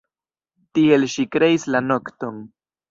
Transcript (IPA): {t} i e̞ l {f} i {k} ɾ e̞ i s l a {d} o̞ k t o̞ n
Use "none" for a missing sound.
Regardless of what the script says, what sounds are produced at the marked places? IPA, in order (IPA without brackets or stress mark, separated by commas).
t, ʃ, k, n